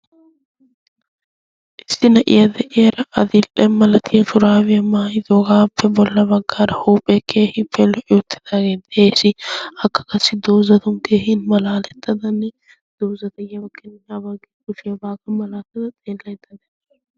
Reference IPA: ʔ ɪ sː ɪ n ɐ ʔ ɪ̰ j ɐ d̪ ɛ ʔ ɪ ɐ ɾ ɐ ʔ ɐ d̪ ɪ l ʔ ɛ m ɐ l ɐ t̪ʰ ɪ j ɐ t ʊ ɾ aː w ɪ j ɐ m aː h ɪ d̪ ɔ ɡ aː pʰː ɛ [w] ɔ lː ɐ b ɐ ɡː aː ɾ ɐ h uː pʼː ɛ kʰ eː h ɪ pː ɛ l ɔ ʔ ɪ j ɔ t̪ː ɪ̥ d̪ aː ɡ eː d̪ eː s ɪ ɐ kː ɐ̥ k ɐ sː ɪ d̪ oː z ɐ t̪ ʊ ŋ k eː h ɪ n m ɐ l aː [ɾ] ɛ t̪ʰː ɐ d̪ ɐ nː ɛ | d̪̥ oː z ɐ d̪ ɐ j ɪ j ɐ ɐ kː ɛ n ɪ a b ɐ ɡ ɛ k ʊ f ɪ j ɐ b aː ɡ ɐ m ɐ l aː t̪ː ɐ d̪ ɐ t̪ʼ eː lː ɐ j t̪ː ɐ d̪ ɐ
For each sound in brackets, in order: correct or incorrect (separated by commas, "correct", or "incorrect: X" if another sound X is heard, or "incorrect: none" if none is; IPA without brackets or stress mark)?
incorrect: b, incorrect: l